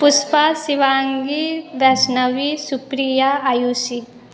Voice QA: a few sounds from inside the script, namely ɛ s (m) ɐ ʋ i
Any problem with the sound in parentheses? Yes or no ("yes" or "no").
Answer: yes